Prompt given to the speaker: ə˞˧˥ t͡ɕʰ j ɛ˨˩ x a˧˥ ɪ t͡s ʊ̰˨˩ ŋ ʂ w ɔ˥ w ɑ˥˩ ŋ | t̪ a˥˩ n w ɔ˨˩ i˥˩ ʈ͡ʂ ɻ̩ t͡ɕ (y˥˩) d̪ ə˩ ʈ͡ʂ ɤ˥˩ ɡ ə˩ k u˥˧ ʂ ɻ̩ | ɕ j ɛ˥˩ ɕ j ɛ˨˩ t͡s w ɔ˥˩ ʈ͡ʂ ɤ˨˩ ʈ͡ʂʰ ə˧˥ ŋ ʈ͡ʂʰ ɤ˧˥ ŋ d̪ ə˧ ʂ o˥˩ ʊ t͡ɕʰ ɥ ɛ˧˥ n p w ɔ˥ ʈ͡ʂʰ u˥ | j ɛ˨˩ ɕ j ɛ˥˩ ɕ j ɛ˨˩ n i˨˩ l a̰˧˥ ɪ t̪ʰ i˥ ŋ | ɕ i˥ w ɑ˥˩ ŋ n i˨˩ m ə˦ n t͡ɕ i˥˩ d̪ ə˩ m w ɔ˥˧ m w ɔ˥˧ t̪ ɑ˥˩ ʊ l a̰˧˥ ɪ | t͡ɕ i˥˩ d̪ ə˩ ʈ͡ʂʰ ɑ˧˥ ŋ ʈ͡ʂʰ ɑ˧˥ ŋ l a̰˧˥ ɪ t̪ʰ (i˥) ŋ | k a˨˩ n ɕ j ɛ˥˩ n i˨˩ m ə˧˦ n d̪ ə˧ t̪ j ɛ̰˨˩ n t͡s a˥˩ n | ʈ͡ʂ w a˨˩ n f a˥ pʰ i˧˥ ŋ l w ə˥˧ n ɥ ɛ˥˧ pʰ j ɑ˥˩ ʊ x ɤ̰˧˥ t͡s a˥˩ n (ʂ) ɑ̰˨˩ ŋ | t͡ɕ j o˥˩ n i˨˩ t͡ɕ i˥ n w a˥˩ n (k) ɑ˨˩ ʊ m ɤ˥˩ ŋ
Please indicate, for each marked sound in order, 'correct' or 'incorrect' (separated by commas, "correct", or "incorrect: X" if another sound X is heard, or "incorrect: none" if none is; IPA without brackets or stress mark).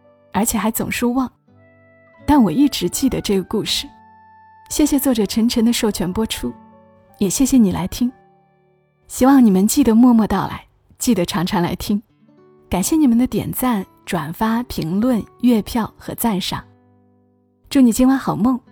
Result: incorrect: i˥˩, correct, correct, incorrect: x